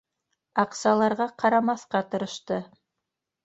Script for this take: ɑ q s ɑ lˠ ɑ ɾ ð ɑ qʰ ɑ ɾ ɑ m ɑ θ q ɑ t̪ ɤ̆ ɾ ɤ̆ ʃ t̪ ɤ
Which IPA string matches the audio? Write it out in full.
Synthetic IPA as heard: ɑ q s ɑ lˠ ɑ ɾ ʁ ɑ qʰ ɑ ɾ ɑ m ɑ θ q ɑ t̪ ɤ̆ ɾ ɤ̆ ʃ t̪ ɤ